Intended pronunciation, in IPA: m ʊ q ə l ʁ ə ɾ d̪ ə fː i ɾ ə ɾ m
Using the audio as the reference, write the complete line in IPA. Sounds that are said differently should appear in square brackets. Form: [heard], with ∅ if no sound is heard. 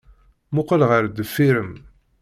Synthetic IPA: m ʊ q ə l ʁ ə ɾ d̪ ə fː i ɾ ə [∅] m